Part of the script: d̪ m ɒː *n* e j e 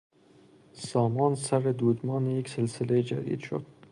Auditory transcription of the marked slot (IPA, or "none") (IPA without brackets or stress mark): n